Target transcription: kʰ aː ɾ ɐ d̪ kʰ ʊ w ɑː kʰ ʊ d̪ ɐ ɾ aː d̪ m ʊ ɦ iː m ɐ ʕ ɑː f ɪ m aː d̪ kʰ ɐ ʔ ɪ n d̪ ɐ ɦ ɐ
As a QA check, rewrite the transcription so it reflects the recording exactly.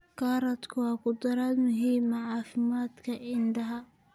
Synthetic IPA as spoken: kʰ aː ɾ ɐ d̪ kʰ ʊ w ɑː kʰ ʊ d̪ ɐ ɾ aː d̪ m ʊ ɦ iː m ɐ ʕ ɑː f ɪ m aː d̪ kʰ ɐ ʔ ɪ n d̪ ɐ ɦ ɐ